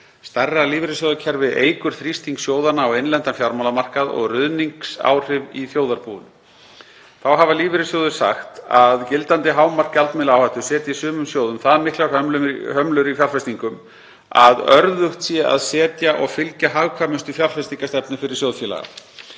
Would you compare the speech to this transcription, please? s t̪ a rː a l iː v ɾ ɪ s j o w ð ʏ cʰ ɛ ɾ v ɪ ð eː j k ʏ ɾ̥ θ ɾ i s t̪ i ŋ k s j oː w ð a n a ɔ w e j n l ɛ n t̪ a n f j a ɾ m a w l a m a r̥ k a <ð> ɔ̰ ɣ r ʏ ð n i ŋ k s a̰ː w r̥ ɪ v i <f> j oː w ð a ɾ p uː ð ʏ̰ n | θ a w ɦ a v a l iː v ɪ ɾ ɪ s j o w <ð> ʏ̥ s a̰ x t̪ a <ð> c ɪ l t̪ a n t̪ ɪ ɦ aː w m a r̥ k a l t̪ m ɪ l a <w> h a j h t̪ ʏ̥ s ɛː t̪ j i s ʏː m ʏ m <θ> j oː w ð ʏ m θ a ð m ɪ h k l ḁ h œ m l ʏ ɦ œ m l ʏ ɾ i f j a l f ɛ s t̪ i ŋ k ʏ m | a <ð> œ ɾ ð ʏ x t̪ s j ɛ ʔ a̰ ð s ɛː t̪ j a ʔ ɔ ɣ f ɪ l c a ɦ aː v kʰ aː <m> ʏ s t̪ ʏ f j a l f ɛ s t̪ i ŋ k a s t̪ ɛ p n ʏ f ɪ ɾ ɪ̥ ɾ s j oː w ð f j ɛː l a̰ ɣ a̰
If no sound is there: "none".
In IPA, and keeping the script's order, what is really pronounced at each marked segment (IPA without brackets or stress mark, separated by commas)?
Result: ð, θ, ð, ð, w, s, ð, m